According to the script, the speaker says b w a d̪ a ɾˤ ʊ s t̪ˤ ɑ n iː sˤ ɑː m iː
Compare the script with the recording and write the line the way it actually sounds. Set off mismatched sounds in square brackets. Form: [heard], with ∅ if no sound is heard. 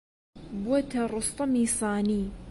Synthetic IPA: b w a [t̪] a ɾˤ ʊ s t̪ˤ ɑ [m] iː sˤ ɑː [n] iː